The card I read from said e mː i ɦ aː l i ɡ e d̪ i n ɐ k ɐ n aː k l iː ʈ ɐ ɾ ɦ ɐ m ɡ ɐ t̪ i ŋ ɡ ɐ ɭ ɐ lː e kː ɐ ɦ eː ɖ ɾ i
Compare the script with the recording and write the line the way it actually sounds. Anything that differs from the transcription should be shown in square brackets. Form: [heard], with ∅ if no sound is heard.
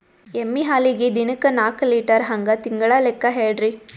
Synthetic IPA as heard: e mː i ɦ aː l i ɡ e d̪ i n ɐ k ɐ n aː k l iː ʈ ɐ ɾ ɦ ɐ [ŋ] ɡ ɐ t̪ i ŋ ɡ ɐ ɭ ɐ [l] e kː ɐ ɦ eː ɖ ɾ i